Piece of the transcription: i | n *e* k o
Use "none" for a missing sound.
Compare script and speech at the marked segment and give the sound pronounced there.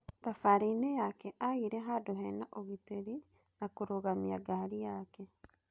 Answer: a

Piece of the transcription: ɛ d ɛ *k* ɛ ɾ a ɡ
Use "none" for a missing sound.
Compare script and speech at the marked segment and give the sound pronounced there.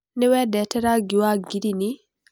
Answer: t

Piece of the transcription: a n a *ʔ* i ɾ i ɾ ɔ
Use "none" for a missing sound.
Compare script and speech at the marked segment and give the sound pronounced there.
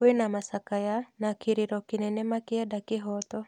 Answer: k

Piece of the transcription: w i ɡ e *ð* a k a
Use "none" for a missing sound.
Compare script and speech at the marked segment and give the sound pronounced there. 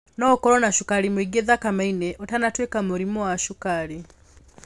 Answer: ð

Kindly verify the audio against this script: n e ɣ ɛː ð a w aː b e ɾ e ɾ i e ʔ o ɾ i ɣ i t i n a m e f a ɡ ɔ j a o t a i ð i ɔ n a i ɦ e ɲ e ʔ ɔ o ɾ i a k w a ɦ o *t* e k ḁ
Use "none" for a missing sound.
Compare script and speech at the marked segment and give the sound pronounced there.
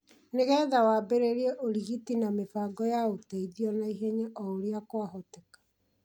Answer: t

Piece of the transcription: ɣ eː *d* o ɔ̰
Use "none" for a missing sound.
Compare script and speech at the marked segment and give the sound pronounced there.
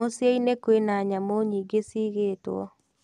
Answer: t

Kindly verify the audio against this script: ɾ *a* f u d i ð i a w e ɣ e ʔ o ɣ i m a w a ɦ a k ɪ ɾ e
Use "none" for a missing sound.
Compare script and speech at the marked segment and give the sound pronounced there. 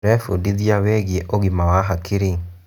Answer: ɛ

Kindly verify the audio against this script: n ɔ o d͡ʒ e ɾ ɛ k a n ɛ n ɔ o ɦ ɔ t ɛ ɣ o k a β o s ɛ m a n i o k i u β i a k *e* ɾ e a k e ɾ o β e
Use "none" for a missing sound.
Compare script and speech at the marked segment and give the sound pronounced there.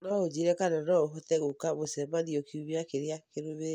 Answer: e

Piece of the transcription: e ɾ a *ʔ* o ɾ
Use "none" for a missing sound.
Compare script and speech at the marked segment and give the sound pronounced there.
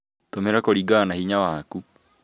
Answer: k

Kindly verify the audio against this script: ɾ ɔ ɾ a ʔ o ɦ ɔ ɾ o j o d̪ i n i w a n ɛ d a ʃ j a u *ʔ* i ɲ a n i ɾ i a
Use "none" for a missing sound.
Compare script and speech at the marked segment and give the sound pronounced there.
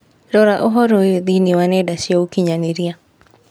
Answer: k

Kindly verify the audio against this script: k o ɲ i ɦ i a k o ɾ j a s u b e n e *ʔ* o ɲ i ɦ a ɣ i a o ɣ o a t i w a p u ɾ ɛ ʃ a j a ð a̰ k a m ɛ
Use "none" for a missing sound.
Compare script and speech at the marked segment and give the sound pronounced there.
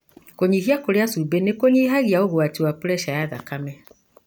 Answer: k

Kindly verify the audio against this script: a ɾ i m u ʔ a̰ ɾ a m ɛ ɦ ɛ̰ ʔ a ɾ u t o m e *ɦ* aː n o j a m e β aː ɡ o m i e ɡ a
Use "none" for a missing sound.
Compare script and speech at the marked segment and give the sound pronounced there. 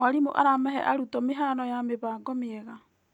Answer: ɦ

